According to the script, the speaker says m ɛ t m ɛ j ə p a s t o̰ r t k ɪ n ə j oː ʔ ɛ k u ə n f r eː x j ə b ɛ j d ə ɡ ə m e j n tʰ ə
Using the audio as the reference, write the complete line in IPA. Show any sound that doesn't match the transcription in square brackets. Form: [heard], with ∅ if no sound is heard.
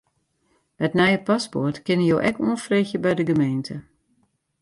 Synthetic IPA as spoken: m ɛ t [n] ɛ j ə p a s [p] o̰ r t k ɪ n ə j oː ʔ ɛ k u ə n f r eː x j ə b ɛ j d ə ɡ ə m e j n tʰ ə